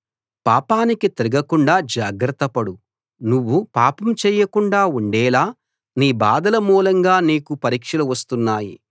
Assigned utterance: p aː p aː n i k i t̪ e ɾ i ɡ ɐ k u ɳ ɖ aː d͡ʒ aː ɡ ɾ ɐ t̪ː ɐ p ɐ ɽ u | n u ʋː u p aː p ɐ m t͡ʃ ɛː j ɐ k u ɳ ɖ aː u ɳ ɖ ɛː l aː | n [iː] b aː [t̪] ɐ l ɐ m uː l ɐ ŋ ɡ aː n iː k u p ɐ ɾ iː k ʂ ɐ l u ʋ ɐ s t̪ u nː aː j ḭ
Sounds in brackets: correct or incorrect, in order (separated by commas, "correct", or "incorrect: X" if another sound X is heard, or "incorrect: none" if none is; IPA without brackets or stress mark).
correct, incorrect: d̪